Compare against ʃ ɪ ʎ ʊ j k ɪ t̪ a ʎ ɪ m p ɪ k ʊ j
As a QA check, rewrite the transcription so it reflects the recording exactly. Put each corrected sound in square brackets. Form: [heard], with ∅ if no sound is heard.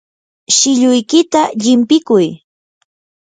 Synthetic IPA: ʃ ɪ ʎ ʊ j k ɪ t̪ a ʎ ɪ m p ɪ k ʊ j

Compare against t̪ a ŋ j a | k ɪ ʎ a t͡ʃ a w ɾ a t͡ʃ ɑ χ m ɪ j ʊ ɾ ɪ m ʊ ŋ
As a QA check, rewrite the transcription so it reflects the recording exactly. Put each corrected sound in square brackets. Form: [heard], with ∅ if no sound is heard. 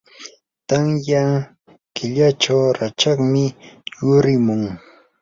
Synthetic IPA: t̪ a ŋ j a | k ɪ ʎ a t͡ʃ a w ɾ a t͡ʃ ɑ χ m ɪ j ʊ ɾ ɪ m ʊ ŋ

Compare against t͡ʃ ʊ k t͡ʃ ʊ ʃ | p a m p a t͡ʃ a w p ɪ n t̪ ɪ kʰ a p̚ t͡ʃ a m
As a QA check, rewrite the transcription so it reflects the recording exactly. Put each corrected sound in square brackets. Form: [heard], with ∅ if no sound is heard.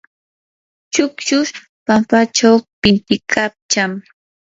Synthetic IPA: t͡ʃ ʊ k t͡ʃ ʊ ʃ | p a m p a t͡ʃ a w p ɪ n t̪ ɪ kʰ a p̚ t͡ʃ a m

